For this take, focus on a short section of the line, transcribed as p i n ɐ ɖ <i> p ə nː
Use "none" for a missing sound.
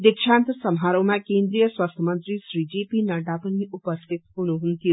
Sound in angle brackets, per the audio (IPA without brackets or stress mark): a